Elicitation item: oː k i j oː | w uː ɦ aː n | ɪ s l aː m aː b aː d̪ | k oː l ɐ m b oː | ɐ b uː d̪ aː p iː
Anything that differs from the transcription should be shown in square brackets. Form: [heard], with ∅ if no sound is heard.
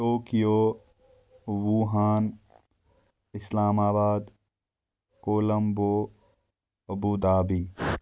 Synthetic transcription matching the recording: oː k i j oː | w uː ɦ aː n | ɪ s l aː m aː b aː d̪ | k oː l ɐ m b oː | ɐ b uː d̪ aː [b] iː